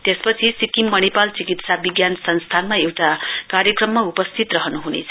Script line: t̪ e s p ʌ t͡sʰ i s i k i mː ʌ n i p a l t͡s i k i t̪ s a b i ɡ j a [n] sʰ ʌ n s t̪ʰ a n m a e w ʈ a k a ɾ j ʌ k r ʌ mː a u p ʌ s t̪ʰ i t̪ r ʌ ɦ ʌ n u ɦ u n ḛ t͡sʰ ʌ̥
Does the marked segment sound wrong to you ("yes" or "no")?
no